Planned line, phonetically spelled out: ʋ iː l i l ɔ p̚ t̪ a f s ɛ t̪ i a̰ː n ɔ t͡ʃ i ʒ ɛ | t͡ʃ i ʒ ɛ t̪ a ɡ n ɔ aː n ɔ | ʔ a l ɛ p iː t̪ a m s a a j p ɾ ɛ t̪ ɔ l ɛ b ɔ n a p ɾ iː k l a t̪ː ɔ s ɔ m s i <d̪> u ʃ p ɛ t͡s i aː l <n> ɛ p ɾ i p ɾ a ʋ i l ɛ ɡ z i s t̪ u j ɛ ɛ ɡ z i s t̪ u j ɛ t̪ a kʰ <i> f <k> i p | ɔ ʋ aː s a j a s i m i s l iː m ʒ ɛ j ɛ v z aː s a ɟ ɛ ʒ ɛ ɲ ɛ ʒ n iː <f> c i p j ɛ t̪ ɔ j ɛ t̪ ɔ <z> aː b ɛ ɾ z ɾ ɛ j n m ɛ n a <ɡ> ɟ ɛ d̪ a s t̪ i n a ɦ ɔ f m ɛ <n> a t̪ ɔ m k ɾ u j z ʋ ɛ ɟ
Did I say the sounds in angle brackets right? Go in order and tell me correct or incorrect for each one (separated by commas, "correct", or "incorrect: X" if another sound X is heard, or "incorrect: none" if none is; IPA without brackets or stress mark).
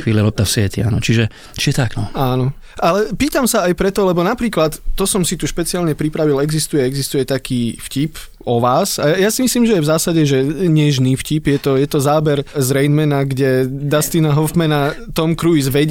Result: incorrect: t̪, incorrect: ɲ, incorrect: iː, incorrect: c, correct, correct, correct, correct